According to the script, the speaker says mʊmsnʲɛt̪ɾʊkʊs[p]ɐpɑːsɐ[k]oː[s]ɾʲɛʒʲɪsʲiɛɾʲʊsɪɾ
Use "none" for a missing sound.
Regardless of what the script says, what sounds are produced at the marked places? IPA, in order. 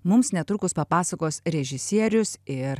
p, k, s

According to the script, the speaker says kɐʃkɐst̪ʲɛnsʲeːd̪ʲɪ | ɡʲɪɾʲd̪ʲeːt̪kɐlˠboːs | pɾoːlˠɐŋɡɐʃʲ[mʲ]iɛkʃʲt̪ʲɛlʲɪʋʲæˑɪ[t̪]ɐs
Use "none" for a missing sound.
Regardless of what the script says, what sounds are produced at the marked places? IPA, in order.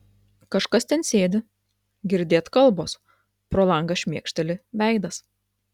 mʲ, d̪

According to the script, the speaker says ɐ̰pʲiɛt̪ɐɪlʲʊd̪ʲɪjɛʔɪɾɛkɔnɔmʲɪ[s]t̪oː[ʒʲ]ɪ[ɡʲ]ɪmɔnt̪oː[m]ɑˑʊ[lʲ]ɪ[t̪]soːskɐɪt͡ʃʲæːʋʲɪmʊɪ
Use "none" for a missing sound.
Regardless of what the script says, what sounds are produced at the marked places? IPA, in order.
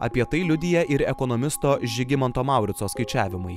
s, ʒʲ, ɡʲ, m, ɾʲ, t̪

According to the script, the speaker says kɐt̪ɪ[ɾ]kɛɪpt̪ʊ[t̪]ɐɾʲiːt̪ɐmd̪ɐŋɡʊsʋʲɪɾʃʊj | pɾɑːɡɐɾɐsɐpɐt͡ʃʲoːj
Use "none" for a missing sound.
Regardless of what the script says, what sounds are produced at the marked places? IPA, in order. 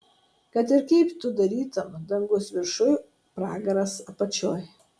ɾ, d̪

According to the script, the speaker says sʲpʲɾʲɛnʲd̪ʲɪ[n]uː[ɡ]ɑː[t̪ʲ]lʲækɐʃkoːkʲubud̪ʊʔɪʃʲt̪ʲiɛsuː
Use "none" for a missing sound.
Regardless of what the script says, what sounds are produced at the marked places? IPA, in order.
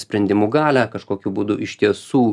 m, ɡ, none

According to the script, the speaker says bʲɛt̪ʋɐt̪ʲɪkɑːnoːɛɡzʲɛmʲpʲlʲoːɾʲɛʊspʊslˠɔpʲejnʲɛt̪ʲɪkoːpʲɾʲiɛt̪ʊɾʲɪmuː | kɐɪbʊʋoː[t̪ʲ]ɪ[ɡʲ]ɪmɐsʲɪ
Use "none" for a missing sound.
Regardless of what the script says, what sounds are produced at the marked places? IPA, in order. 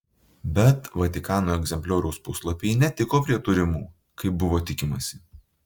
t̪ʲ, kʲ

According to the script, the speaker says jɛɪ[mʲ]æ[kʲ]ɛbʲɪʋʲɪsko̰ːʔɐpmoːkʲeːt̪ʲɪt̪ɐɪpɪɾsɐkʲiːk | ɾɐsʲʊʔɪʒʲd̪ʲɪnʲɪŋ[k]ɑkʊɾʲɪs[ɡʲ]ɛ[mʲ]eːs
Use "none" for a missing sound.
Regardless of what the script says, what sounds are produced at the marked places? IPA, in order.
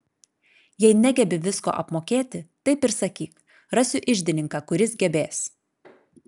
nʲ, ɡʲ, k, ɡʲ, bʲ

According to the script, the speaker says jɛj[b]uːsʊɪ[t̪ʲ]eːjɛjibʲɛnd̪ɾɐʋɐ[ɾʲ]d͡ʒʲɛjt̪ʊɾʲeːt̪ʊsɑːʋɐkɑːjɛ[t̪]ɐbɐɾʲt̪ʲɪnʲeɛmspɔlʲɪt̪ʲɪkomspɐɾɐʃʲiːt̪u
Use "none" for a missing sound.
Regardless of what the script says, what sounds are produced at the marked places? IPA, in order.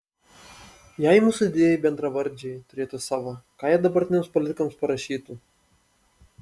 m, d̪ʲ, ɾʲ, d̪

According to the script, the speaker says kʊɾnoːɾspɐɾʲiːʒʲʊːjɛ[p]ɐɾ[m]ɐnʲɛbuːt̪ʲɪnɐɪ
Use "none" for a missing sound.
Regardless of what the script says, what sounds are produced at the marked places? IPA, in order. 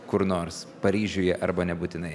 ʔ, b

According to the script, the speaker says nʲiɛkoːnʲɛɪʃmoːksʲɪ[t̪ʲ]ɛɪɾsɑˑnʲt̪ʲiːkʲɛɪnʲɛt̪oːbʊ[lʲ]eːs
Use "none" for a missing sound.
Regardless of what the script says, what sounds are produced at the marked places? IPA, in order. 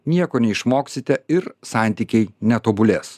t̪ʲ, lʲ

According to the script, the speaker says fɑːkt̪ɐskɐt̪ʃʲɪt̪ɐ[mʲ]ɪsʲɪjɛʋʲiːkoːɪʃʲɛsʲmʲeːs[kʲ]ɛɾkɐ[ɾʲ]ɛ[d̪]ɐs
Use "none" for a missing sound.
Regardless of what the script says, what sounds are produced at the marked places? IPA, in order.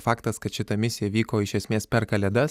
mʲ, pʲ, lʲ, d̪

